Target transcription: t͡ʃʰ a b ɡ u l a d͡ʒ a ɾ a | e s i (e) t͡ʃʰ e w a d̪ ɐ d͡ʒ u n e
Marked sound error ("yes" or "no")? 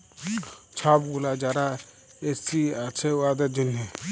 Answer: yes